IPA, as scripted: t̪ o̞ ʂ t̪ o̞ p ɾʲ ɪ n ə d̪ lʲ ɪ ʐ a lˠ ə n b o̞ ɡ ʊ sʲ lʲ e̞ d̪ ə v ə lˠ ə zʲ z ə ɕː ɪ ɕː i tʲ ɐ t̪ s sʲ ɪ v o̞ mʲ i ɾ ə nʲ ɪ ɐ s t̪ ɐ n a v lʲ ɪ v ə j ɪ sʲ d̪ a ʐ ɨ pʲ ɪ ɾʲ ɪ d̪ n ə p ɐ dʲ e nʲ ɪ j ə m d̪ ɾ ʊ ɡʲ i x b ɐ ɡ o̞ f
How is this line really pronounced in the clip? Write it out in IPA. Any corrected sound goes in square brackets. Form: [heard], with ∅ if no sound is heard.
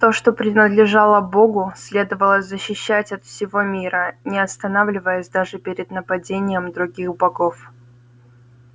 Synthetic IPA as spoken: t̪ o̞ ʂ t̪ o̞ p ɾʲ ɪ n ə d̪ lʲ ɪ ʐ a lˠ ə [∅] b o̞ ɡ ʊ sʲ lʲ e̞ d̪ ə v ə lˠ ə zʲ z ə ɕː ɪ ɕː [æ] tʲ ɐ t̪ [f] sʲ ɪ v o̞ mʲ i ɾ ə nʲ ɪ ɐ s t̪ ɐ n a v lʲ ɪ v ə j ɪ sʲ d̪ a ʐ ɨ pʲ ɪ ɾʲ ɪ d̪ n ə p ɐ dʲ e nʲ ɪ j ə m d̪ ɾ ʊ ɡʲ i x b ɐ ɡ o̞ f